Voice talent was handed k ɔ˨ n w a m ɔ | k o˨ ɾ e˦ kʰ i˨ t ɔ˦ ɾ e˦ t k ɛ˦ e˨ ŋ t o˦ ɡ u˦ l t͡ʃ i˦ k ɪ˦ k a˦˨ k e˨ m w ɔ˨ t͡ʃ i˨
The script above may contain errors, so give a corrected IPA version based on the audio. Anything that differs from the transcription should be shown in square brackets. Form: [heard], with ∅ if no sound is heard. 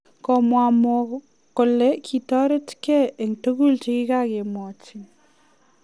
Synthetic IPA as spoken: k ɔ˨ [m] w a m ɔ | k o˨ [l] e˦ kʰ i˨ t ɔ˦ ɾ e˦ t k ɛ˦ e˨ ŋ t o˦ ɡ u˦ l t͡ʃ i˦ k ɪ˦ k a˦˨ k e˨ m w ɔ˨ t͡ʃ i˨